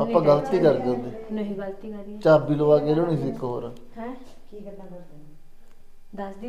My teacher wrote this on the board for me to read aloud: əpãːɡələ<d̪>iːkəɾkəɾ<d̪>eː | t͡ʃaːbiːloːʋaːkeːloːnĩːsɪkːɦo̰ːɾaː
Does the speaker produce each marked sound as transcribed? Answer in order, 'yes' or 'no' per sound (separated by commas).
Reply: no, yes